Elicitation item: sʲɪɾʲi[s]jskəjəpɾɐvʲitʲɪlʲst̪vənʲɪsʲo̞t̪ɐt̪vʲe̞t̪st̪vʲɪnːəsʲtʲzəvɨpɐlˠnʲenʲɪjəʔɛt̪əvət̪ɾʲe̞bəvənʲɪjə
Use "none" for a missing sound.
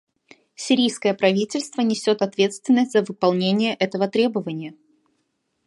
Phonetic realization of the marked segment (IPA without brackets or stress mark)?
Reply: none